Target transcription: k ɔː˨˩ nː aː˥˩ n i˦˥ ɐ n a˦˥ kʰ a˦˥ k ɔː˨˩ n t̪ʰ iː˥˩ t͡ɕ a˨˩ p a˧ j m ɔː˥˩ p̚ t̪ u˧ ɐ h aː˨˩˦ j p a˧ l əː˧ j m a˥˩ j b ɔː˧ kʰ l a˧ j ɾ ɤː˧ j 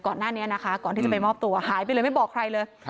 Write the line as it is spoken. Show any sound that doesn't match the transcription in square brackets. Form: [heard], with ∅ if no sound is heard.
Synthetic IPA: k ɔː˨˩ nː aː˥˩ n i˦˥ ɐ n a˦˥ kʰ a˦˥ k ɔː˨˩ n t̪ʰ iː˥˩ t͡ɕ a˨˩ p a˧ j m ɔː˥˩ p̚ t̪ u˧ ɐ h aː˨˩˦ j p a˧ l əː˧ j m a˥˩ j b [ɔː˨˩] kʰ [ɾ] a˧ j [l] ɤː˧ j